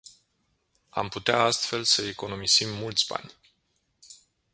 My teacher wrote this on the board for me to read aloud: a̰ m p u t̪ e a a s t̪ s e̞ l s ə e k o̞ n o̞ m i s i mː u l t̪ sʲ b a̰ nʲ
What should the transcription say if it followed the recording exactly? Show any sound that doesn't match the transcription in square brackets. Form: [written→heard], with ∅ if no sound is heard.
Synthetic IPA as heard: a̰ m p u t̪ e a a s t̪ [s→f] e̞ l s ə e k o̞ n o̞ m i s i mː u l t̪ sʲ b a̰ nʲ